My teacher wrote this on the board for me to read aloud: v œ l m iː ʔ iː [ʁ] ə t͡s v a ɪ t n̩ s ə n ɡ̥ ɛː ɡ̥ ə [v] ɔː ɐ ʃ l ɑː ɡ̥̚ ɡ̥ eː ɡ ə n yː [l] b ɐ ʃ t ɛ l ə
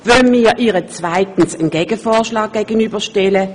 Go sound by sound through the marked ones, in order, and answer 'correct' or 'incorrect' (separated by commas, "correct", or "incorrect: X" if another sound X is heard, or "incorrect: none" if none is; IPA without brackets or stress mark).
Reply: correct, incorrect: f, incorrect: none